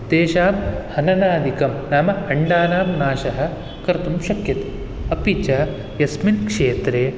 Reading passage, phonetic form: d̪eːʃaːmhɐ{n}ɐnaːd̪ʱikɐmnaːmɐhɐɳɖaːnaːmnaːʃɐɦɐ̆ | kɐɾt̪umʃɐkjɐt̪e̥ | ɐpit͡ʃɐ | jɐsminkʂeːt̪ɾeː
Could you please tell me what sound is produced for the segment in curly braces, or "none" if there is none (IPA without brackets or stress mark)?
n